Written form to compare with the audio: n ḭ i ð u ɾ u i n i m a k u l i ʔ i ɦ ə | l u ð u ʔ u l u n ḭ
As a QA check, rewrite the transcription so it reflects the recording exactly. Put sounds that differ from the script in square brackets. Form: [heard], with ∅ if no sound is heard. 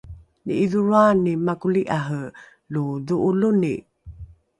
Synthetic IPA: n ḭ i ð u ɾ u [a] n i m a k u l i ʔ [a] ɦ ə | l u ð u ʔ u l u n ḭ

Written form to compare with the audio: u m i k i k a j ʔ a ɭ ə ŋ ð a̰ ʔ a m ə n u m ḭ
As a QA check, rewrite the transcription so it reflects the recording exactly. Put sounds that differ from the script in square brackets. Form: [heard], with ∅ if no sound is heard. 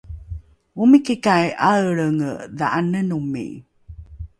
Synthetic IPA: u m i k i k a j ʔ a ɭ ə ŋ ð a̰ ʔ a [n] ə n u m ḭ

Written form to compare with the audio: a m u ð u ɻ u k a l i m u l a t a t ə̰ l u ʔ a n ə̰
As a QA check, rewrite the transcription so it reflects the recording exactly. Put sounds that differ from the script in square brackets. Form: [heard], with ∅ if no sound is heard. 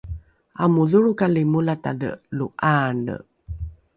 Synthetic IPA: a m u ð u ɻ u k a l i m u l a t a [d] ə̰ l u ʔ a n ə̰

